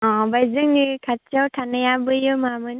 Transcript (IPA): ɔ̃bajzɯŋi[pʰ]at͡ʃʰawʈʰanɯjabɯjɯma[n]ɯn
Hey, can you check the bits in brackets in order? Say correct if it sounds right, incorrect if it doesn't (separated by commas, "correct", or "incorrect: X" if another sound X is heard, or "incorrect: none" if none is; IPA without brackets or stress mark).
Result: incorrect: kʰ, incorrect: m